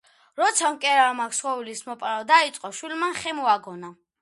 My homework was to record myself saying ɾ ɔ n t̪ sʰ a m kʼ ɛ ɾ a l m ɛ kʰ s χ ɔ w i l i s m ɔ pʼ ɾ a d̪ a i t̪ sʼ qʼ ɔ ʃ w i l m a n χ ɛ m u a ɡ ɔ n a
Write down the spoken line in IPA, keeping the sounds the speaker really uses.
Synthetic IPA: ɾ ɔ t̪ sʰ a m kʼ ɛ ɾ a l m a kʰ s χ ɔ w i l i s m ɔ pʼ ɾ a d̪ a i t̪ sʼ qʼ ɔ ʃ w i l m a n χ ɛ m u a ɡ ɔ n a